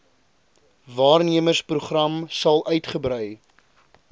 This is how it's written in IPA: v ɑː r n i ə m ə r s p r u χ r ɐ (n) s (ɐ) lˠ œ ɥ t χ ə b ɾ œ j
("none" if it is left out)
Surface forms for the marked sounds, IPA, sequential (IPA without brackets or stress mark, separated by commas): m, ɐ